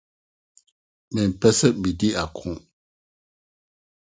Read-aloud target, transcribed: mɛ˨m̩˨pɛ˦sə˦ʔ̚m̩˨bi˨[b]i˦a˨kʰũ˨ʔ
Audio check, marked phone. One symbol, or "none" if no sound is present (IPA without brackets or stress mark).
d